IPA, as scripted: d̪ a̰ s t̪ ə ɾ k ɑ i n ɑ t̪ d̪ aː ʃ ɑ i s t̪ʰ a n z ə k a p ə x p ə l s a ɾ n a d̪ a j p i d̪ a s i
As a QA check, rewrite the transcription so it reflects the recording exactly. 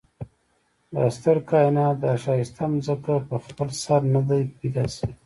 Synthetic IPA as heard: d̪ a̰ s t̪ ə ɾ k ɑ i n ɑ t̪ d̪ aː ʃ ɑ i s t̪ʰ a m z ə k a p ə x p ə l s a ɾ n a d̪ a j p i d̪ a s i